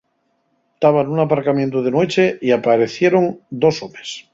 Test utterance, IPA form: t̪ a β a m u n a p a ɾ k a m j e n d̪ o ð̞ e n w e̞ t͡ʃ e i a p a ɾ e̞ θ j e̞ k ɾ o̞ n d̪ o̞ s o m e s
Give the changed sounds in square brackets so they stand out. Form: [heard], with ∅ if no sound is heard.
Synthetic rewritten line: t̪ a β a [n] u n a p a ɾ k a m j e n [t̪] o ð̞ e n w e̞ t͡ʃ e i a p a ɾ e̞ θ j e̞ [∅] ɾ o̞ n d̪ o̞ s o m e s